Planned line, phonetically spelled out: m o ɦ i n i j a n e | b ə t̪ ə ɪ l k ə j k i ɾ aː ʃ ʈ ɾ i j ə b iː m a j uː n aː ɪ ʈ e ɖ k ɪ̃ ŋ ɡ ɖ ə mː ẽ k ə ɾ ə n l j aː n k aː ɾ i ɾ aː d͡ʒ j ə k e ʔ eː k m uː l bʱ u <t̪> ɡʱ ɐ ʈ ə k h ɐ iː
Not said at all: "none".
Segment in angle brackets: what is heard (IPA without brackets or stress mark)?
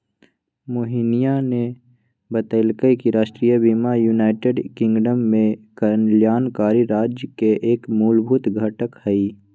t̪